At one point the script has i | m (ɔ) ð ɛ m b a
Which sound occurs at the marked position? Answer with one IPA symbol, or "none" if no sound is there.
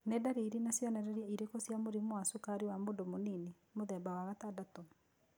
o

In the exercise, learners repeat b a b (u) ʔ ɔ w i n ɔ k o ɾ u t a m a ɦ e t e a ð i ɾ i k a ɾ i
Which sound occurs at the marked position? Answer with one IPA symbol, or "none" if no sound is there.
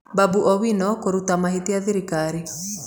u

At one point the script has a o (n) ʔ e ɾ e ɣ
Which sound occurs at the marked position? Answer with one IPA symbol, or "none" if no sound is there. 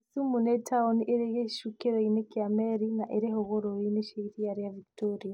n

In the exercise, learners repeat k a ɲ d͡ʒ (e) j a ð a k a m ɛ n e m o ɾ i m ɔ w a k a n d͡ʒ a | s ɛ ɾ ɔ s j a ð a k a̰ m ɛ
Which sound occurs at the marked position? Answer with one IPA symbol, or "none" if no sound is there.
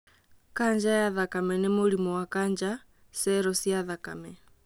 a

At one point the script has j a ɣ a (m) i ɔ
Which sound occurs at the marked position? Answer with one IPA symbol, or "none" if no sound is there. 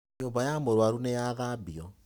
b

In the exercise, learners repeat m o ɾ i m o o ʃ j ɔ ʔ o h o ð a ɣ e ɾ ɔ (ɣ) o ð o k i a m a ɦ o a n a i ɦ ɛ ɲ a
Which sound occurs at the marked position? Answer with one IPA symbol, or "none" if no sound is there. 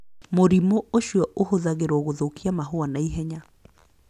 ɣ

